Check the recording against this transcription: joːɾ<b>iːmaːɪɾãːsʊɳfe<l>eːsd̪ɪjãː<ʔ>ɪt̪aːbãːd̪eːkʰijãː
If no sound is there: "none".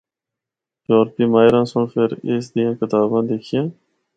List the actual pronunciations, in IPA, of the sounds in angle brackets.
p, ɾ, k

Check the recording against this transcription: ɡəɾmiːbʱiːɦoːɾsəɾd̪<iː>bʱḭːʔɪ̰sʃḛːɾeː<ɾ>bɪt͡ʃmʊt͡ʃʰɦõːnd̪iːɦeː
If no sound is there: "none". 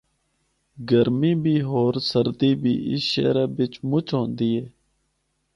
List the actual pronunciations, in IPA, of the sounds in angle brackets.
iː, none

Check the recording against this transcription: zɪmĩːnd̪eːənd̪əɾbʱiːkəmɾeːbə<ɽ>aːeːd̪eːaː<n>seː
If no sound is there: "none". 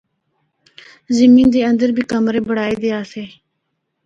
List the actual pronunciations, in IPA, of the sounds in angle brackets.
ɽ, none

